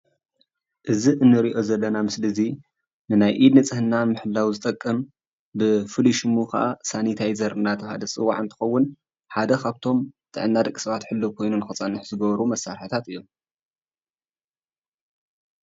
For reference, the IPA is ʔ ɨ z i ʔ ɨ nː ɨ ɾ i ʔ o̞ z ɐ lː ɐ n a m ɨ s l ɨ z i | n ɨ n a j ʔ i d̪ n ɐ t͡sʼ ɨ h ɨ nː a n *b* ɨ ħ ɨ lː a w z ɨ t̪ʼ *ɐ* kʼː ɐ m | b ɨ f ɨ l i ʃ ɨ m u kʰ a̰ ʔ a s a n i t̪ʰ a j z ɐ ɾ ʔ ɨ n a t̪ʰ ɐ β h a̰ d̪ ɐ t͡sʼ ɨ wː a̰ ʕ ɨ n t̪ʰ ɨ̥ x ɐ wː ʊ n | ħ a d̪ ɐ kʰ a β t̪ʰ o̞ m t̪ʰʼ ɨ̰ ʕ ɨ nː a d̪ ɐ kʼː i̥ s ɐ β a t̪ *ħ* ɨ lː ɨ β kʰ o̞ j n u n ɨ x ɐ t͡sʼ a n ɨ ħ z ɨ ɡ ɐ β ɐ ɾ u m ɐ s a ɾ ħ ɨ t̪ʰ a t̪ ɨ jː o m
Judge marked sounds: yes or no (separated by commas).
no, yes, yes